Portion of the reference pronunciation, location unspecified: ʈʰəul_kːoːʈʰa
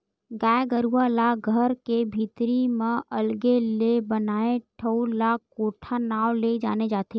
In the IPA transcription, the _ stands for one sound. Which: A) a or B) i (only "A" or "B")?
A